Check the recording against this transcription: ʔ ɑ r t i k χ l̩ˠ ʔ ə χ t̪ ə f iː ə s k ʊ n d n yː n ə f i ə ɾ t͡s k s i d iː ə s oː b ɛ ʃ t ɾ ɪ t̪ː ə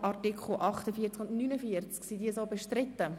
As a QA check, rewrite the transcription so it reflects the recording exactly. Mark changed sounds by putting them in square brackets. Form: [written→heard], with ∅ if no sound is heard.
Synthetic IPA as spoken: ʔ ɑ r t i k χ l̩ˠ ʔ [ə→ɑ] χ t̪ ə f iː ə [s→t͡s] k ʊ n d n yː n ə f i ə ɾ t͡s k s i d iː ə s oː b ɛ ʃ t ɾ ɪ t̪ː ə